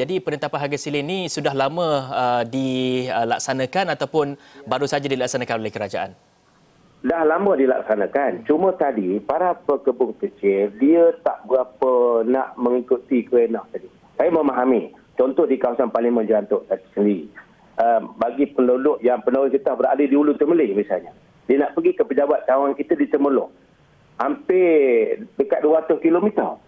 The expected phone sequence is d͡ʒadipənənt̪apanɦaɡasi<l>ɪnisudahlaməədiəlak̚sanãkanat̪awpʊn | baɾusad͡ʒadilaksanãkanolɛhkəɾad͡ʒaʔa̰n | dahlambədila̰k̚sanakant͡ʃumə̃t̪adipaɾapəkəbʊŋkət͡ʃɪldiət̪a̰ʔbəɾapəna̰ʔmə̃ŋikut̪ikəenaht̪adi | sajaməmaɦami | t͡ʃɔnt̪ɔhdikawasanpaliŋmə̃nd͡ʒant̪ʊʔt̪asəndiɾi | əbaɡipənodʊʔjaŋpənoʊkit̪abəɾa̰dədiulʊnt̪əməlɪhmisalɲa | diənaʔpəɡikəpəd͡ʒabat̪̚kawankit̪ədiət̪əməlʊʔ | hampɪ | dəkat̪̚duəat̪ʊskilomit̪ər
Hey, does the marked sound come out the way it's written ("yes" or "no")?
yes